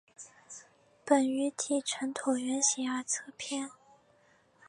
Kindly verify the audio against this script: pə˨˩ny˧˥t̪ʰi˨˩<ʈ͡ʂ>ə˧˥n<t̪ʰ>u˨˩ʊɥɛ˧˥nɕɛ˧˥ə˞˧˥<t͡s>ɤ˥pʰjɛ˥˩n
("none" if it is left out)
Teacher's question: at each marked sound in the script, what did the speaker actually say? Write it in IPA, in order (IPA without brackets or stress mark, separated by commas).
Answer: ʈ͡ʂʰ, t̪ʰ, t͡sʰ